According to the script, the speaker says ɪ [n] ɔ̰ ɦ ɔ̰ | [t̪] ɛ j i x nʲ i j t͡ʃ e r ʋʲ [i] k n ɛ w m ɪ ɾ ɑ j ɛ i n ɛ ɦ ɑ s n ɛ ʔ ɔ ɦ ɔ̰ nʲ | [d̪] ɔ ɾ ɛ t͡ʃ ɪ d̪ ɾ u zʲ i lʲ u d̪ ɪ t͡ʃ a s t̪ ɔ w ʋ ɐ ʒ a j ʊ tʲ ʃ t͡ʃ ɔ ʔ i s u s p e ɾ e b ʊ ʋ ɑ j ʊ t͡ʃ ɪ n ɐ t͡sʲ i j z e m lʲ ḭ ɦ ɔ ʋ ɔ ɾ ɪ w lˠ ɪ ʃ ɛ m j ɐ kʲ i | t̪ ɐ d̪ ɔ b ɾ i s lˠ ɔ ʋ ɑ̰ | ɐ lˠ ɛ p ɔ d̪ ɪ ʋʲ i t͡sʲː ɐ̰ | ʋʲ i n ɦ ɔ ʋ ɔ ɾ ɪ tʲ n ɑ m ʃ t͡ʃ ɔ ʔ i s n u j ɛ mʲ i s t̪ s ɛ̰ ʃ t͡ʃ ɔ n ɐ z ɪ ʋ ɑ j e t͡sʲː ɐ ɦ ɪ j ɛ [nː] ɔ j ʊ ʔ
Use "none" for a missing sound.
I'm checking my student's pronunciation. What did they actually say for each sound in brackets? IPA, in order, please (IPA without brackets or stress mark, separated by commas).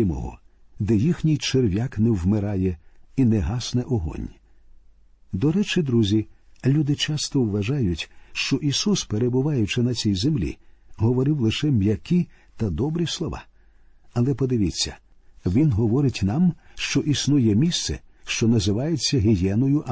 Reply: m, d̪, a, d̪, n